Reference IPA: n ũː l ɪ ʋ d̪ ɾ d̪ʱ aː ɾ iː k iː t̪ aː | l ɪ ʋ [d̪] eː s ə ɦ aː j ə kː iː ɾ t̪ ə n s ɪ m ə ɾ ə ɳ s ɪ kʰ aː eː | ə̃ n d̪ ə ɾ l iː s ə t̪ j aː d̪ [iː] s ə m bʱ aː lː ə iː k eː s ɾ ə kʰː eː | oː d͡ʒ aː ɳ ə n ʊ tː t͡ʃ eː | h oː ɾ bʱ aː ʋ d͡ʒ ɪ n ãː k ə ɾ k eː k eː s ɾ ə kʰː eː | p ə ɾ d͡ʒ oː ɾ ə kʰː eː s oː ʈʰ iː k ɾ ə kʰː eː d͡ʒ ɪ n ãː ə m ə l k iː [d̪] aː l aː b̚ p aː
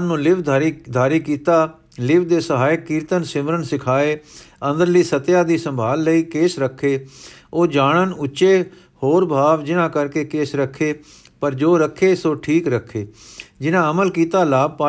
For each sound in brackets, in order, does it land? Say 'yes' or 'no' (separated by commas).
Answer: yes, yes, no